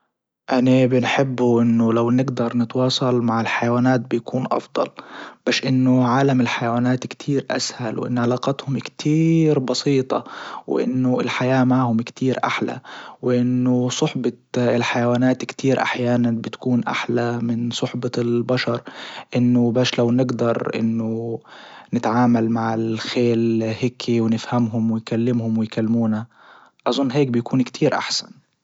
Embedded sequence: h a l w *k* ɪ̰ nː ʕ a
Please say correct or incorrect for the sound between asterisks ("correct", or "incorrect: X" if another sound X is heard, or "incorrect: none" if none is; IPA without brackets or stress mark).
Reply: incorrect: ʔ